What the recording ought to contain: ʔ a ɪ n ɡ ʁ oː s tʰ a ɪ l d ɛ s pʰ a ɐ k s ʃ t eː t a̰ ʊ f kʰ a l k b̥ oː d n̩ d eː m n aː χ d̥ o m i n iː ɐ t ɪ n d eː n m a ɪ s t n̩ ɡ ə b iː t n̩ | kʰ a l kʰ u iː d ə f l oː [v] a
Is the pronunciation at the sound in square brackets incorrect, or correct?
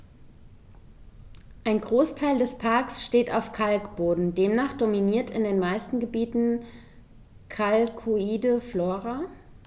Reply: incorrect